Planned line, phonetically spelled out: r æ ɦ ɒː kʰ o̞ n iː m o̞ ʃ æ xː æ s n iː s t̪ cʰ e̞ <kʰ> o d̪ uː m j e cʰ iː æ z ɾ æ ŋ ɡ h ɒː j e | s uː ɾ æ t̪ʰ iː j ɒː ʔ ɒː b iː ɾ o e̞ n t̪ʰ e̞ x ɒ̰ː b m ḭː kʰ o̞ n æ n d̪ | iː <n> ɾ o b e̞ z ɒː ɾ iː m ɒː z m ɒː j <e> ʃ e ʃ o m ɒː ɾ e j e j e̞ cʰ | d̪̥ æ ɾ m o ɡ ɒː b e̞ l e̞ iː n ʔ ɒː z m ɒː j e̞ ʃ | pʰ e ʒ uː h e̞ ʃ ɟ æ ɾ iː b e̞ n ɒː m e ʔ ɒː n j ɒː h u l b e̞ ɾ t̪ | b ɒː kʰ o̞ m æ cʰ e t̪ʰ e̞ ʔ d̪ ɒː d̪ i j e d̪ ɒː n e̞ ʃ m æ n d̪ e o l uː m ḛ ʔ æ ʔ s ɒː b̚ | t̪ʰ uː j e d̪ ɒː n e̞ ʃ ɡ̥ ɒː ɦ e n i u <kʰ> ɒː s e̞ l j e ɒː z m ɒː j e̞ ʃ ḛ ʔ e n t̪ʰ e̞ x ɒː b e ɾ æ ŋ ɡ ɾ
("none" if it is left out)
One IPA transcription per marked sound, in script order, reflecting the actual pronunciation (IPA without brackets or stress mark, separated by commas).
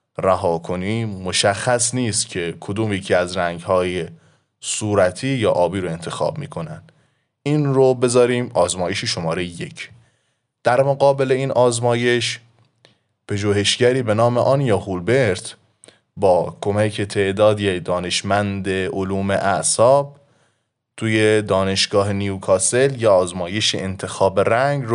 kʰ, n, e, kʰ